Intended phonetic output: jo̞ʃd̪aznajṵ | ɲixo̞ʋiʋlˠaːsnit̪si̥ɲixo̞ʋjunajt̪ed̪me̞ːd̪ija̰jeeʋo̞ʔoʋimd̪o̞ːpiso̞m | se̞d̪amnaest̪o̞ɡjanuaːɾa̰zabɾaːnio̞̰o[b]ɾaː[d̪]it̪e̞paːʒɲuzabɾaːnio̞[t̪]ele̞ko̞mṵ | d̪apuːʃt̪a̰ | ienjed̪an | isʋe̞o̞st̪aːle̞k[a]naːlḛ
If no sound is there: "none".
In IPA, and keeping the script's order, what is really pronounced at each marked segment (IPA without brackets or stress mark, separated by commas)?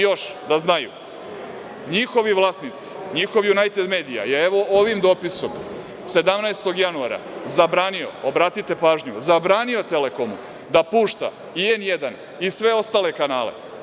b, t̪, t̪, a